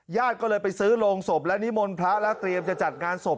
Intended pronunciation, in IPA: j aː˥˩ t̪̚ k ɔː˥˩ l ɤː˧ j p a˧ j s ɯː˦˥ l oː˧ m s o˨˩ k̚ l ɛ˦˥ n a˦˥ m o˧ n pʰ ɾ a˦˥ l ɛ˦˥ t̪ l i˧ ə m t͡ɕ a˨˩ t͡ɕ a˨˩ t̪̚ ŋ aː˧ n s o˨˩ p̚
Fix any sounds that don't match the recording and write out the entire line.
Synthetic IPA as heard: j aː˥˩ t̪̚ k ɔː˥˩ l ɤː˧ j p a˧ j s ɯː˦˥ l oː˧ ŋ s o˨˩ p̚ l ɛ˦˥ n i˦˥ m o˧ n pʰ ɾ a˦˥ l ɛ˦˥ t̪ ɾ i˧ ə m t͡ɕ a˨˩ t͡ɕ a˨˩ t̪̚ ŋ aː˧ n s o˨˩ p̚